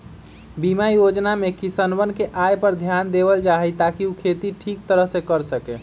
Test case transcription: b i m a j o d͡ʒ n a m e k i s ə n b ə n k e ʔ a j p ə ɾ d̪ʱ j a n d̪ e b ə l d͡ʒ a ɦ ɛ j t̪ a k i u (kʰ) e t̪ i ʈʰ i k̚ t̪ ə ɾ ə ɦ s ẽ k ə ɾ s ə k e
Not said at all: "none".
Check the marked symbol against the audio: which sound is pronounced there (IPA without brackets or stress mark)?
kʰ